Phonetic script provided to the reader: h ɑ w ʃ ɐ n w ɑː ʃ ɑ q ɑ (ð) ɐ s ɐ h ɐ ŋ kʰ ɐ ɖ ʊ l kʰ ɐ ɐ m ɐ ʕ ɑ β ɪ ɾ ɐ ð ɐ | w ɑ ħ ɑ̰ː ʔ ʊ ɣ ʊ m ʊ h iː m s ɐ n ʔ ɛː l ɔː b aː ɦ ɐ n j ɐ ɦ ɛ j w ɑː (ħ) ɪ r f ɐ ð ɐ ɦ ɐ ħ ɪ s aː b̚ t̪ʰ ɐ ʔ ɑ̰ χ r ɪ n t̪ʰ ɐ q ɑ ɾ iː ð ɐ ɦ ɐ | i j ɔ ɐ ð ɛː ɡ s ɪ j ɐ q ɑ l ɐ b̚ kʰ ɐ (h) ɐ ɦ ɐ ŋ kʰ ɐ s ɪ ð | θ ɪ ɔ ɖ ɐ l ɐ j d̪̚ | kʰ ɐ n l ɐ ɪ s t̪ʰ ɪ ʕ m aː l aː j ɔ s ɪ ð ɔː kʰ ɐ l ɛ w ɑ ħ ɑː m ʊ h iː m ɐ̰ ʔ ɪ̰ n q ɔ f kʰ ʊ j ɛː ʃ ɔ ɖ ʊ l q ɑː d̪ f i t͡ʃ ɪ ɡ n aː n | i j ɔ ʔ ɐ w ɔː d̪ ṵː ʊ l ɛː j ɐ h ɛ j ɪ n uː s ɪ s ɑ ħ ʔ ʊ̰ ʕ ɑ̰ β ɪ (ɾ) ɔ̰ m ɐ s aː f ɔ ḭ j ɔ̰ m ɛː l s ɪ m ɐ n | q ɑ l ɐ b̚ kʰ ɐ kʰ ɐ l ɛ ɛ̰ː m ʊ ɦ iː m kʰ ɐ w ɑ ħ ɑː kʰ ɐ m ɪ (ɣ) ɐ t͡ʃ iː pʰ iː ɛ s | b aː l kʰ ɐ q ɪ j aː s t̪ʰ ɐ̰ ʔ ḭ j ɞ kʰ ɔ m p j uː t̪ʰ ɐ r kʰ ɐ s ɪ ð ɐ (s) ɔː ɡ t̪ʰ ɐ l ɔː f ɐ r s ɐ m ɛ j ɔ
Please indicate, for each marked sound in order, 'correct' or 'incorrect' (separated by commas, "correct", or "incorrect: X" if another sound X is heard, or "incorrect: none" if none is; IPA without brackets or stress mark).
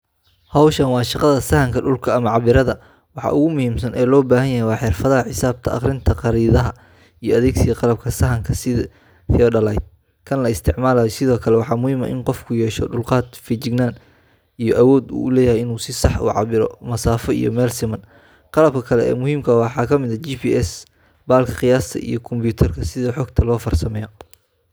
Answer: correct, correct, incorrect: s, correct, incorrect: ð, incorrect: ħ